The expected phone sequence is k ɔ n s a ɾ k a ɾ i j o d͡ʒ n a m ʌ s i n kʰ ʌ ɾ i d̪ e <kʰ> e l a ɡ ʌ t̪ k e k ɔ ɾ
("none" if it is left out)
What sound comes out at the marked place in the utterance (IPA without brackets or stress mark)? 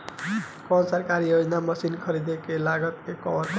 k